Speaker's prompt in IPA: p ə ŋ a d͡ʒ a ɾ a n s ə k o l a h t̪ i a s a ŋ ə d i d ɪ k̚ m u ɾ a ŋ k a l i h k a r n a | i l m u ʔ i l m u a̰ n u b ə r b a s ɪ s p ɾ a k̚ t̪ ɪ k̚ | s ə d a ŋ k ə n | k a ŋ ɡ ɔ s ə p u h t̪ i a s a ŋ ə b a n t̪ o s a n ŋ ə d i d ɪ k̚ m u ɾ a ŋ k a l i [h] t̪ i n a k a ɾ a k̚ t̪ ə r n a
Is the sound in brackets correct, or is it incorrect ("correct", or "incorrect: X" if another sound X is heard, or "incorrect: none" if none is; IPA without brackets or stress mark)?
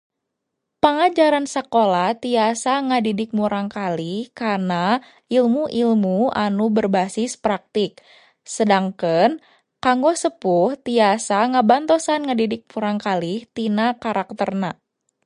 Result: correct